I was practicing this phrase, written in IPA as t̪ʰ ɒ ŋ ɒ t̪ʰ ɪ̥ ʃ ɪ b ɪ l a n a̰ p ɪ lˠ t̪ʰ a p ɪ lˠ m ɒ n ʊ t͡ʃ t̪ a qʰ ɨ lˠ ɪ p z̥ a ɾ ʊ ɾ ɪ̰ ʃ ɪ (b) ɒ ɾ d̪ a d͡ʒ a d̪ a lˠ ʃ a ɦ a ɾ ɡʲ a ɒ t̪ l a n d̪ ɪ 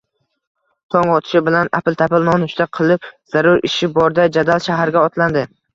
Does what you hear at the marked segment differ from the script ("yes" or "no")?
no